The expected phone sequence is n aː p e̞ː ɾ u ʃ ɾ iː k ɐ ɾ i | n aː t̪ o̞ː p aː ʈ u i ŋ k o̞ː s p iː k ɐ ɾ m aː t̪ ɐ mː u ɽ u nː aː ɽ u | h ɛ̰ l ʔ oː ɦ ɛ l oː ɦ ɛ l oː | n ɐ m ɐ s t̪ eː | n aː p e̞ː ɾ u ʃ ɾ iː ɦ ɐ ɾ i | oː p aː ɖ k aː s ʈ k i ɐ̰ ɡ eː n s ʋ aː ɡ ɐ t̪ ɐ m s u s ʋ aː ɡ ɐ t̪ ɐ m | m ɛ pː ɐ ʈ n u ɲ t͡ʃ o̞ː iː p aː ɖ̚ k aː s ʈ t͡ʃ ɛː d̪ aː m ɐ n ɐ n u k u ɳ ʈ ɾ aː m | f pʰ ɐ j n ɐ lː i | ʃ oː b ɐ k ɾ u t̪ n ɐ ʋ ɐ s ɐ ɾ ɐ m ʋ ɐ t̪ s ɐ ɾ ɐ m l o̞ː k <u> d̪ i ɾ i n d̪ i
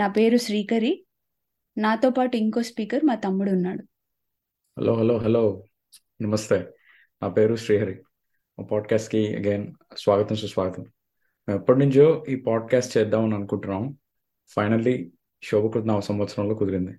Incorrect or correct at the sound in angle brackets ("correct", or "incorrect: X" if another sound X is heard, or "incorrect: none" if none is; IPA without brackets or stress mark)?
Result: correct